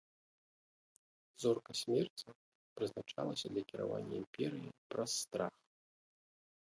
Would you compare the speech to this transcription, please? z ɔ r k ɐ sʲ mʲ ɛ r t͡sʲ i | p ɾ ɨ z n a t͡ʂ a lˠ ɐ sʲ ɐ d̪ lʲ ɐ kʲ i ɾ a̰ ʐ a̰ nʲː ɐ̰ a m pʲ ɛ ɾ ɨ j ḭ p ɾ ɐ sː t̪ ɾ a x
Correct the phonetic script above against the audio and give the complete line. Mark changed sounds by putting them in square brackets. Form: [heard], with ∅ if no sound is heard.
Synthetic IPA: z ɔ r k ɐ sʲ mʲ ɛ r t͡sʲ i | p ɾ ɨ z n a t͡ʂ a lˠ ɐ sʲ ɐ d̪ lʲ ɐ kʲ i ɾ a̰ [v] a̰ nʲː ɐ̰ [i] m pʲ ɛ ɾ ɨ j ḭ p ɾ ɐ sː t̪ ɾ a x